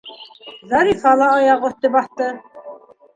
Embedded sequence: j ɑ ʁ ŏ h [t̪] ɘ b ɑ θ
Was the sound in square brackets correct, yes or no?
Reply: yes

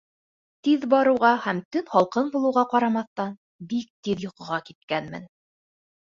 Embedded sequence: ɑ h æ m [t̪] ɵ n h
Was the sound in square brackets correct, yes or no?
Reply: yes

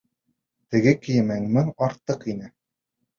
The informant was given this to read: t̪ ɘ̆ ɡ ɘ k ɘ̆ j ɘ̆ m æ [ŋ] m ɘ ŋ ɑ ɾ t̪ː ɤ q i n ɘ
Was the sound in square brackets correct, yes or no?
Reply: yes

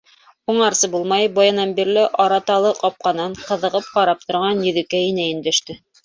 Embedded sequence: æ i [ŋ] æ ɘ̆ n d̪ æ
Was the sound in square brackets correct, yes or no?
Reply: no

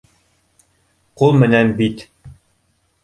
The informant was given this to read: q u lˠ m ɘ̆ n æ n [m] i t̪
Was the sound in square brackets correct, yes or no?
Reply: no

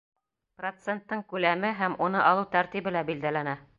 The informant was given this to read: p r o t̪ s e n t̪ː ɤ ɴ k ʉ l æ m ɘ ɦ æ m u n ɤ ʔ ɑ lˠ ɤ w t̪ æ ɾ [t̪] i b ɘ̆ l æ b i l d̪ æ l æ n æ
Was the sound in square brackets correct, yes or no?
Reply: yes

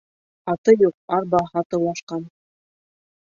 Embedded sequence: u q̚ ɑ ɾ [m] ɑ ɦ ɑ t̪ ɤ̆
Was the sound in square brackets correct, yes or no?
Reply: no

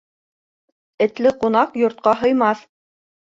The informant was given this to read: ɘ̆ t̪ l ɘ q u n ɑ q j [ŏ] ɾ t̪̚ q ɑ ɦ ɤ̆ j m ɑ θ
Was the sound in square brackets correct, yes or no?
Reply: yes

